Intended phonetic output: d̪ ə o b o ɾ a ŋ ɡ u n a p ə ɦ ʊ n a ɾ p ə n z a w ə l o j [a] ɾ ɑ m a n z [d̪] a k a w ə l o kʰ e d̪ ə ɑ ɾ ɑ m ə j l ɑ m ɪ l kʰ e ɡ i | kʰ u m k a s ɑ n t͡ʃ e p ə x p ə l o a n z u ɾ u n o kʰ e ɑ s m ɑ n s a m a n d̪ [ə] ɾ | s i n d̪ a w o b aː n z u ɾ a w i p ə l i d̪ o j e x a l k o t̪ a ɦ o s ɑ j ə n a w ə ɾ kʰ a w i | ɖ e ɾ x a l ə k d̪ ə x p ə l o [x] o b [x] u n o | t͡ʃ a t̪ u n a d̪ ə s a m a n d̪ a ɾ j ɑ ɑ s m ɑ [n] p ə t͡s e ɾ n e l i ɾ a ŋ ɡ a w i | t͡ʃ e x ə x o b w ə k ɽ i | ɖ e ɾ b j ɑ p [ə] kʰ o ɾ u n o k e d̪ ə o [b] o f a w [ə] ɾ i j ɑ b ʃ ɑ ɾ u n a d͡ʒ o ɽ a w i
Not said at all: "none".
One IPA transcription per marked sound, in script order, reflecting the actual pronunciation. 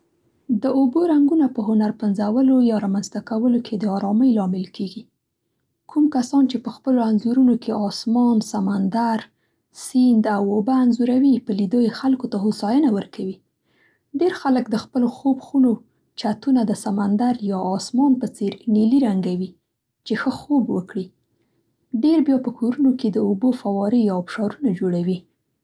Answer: ɑ, t̪, a, x, x, n, ə, b, ɑ

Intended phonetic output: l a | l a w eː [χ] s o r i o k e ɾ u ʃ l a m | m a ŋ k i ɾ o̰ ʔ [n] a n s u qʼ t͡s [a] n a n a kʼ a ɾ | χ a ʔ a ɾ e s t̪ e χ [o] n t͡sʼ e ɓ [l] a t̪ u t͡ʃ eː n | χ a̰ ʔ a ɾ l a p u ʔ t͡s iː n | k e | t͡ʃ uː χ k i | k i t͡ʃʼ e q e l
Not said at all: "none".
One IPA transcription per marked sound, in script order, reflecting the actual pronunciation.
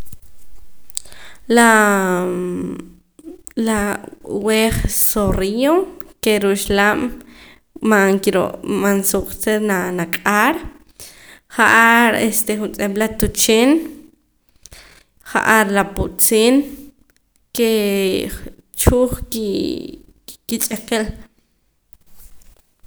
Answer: χ, m, e, u, l

